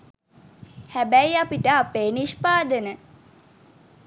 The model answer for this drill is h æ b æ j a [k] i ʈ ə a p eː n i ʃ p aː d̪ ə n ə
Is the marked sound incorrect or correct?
incorrect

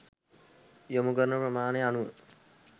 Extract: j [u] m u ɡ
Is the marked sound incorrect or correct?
incorrect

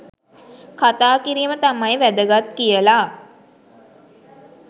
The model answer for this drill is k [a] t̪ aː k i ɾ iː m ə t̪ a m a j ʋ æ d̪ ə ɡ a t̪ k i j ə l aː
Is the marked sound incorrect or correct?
correct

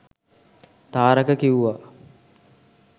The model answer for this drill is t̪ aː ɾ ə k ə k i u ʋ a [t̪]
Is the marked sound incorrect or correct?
incorrect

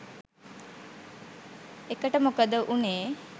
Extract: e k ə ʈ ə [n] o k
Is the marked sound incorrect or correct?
incorrect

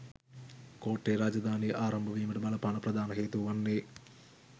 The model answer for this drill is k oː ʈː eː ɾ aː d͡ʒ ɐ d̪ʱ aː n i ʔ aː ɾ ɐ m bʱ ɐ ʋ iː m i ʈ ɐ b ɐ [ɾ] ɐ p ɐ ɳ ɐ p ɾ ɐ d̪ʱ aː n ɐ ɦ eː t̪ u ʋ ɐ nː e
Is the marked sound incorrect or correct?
incorrect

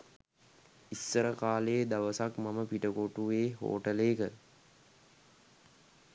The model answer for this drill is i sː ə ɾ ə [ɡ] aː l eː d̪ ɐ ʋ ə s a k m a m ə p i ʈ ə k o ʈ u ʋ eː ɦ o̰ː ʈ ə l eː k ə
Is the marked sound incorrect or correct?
incorrect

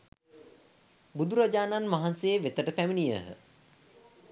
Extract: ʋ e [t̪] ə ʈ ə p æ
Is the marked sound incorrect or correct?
correct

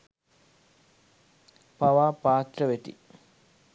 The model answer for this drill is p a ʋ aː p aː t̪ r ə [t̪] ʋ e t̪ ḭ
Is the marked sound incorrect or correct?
incorrect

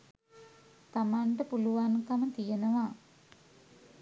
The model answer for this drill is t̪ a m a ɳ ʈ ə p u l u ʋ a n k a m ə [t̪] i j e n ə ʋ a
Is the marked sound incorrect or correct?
correct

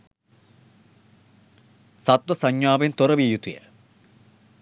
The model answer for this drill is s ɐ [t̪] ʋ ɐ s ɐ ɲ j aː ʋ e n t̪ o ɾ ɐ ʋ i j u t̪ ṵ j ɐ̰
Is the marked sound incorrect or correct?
correct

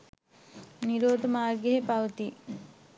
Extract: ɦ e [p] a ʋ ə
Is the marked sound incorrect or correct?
correct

